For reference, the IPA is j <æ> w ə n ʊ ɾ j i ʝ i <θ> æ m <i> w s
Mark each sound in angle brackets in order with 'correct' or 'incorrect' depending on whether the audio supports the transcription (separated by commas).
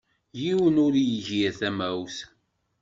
incorrect, correct, incorrect